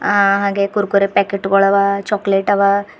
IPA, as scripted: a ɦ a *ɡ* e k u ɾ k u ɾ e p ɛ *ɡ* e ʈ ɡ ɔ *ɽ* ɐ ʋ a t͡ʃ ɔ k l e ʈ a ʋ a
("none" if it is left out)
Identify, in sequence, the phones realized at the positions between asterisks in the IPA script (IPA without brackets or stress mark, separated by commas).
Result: ɡ, k, ɭ